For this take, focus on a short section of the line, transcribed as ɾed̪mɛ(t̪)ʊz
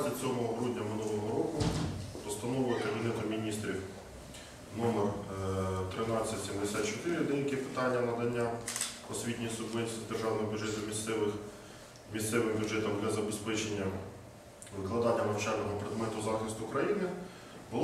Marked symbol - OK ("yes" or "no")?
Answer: yes